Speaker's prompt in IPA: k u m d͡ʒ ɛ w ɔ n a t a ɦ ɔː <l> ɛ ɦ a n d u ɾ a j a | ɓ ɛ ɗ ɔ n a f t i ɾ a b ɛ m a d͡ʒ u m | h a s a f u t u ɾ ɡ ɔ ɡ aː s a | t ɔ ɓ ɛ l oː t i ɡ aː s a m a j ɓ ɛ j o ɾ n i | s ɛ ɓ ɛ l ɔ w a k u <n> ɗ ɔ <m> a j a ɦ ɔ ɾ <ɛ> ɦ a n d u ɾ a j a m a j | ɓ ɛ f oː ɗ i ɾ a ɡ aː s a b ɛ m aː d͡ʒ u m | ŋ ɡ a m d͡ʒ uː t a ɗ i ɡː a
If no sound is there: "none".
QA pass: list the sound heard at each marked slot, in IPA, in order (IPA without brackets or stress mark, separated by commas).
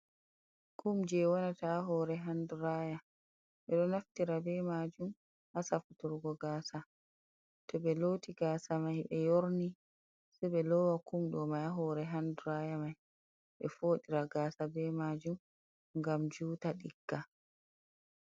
ɾ, m, m, ɛ